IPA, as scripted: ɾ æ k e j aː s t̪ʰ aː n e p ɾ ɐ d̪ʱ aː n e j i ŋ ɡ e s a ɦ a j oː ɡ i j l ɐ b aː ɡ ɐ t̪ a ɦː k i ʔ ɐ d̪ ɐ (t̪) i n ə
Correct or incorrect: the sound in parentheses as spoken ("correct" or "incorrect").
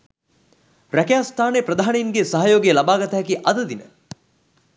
incorrect